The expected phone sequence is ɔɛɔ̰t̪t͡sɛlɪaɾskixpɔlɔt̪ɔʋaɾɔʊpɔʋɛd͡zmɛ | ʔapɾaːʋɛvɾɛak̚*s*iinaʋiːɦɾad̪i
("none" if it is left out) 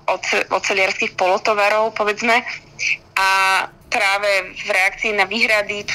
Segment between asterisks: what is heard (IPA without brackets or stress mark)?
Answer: t͡s